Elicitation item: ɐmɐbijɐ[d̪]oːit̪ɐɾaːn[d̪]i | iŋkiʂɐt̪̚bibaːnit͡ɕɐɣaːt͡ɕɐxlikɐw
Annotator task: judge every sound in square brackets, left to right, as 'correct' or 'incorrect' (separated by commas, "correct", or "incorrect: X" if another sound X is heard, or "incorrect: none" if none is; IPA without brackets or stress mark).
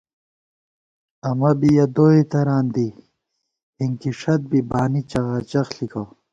correct, correct